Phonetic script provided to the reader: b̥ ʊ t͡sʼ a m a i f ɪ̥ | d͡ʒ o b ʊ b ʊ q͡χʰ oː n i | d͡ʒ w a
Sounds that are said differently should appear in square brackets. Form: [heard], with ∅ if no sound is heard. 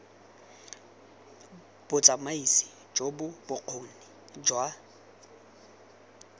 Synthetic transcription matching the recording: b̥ ʊ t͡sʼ a m a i [s] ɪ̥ | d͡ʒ o b ʊ b ʊ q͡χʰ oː n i | d͡ʒ w a